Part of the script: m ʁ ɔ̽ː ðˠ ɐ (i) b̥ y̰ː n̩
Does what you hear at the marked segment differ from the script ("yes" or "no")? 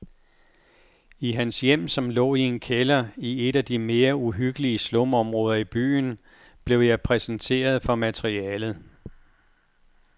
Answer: no